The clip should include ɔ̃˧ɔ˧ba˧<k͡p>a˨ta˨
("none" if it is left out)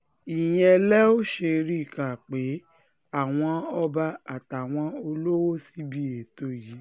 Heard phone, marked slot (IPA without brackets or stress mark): none